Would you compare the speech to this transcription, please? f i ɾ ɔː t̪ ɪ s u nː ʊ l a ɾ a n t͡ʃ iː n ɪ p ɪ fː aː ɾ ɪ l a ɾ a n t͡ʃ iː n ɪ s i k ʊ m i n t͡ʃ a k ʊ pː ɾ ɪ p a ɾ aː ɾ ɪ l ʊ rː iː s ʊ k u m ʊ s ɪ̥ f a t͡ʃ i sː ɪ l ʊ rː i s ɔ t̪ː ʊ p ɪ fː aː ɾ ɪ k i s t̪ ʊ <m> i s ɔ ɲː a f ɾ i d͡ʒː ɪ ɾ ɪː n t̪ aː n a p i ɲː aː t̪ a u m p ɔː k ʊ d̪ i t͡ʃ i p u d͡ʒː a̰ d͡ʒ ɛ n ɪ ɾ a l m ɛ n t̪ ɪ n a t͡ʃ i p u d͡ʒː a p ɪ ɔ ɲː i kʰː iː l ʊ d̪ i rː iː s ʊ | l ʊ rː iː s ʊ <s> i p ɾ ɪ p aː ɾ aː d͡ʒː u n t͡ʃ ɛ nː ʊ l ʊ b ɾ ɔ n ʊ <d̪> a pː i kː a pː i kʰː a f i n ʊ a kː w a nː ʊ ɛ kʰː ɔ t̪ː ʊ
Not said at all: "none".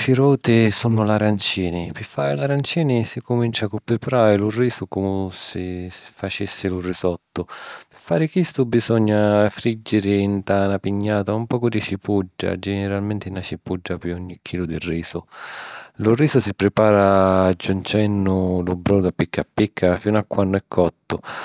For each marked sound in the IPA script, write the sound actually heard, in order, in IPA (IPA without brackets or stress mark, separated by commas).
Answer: b, s, d̪